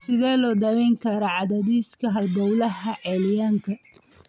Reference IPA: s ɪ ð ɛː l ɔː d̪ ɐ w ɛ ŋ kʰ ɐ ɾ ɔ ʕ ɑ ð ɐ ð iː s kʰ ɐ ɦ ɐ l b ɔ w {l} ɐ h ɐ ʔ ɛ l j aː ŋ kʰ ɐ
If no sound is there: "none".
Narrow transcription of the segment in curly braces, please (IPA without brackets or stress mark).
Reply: l